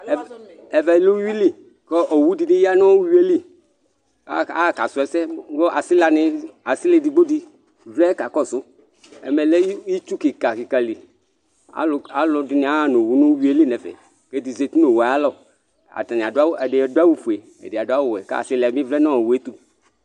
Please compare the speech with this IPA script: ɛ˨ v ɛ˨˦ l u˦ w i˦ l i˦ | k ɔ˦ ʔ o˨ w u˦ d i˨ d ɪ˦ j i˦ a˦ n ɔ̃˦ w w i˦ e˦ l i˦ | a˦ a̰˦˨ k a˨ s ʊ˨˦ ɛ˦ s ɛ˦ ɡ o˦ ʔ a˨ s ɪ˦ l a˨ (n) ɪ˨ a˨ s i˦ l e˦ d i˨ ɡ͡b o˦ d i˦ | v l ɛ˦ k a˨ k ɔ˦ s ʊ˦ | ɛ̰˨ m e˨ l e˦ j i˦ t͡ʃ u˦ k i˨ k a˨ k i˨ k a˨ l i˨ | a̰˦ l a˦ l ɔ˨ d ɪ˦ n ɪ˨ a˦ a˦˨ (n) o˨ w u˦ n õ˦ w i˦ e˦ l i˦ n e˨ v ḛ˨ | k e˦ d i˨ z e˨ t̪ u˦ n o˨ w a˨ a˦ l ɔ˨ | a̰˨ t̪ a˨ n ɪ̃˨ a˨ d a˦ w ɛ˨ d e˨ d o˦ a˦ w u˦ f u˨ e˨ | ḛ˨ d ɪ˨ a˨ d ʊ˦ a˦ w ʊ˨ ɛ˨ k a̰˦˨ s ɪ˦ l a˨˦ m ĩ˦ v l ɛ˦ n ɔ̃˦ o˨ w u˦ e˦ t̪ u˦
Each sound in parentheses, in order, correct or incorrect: correct, correct

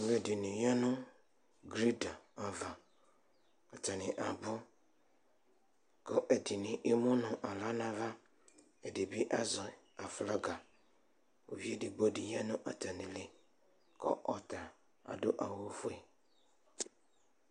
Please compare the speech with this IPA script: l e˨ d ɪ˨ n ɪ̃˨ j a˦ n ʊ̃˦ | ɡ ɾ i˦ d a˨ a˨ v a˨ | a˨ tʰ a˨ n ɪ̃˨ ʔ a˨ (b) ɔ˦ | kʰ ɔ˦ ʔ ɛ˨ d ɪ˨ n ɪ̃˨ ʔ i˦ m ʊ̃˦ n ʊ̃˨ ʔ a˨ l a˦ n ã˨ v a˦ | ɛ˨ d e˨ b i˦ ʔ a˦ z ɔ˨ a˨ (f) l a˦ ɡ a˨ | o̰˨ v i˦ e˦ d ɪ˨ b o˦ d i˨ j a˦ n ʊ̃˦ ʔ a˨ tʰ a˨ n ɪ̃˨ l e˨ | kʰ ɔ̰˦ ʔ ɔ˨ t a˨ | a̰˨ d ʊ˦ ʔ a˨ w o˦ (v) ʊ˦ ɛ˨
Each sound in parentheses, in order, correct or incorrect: correct, correct, incorrect: f

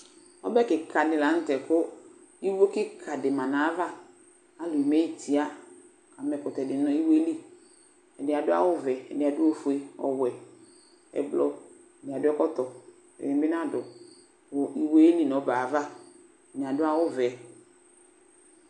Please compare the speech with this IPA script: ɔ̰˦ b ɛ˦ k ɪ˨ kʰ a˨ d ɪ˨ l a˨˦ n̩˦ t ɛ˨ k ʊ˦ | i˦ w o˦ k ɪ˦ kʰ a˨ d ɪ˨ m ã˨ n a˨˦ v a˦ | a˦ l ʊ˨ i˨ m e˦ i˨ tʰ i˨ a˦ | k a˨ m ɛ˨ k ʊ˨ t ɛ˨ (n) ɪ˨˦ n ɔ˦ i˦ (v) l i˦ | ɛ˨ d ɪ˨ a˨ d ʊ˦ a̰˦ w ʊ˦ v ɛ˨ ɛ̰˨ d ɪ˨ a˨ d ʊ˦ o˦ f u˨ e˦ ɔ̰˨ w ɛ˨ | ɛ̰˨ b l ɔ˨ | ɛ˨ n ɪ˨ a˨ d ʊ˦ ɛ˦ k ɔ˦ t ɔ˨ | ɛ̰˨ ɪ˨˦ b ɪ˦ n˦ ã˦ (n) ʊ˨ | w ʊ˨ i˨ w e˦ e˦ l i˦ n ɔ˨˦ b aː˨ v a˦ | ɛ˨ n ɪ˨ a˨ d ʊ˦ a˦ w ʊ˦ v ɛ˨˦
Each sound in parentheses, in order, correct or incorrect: incorrect: d, incorrect: w, incorrect: d

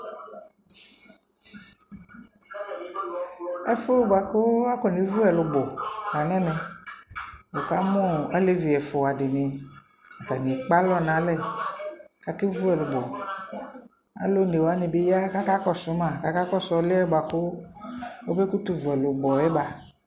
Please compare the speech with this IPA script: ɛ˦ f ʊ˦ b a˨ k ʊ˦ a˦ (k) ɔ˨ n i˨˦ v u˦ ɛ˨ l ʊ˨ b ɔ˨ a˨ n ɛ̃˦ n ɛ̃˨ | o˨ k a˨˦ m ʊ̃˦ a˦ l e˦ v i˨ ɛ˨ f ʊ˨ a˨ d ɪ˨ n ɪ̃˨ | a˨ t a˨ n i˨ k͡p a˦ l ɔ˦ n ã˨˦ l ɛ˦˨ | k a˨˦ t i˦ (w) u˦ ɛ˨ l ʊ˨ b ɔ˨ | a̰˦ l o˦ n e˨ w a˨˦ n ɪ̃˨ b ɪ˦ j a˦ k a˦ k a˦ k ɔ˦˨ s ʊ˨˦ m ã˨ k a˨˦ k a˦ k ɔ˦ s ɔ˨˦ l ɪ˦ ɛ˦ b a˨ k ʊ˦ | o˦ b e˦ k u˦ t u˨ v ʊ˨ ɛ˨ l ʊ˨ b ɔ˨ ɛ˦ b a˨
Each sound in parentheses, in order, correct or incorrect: correct, incorrect: v

